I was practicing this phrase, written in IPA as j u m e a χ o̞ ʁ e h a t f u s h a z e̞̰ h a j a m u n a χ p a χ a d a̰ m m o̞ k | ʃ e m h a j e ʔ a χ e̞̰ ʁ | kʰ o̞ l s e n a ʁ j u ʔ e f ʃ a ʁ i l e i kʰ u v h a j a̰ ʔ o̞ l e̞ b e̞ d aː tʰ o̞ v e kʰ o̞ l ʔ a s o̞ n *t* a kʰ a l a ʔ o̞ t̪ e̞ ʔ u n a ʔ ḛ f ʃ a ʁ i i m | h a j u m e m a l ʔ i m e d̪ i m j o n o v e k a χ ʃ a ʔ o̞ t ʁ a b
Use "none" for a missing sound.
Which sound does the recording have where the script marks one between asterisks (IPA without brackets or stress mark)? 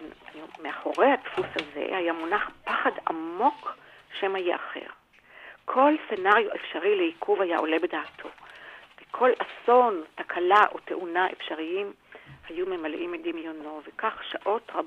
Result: t